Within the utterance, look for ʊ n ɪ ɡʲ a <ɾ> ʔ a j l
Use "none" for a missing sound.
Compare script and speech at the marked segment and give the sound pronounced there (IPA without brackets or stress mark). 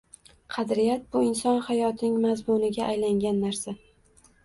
none